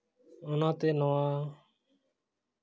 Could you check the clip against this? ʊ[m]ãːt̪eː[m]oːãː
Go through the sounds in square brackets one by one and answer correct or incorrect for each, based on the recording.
incorrect: n, incorrect: n

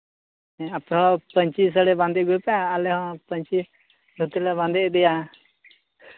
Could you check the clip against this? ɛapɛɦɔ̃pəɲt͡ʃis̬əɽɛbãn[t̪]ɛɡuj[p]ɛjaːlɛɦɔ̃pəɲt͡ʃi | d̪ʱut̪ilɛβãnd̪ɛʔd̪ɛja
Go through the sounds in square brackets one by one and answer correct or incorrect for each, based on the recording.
incorrect: d̪, correct

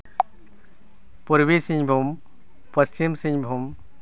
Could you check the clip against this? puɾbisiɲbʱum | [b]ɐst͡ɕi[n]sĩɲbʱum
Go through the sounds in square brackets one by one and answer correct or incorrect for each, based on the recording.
incorrect: p, incorrect: m

